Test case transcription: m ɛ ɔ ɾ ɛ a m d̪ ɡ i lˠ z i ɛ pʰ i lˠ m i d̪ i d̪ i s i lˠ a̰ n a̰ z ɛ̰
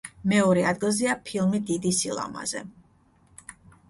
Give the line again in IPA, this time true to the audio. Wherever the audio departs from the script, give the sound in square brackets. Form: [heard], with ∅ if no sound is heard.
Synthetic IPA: m ɛ ɔ ɾ ɛ a [∅] d̪ ɡ i lˠ z i [a] pʰ i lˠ m i d̪ i d̪ i s i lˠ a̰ [m] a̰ z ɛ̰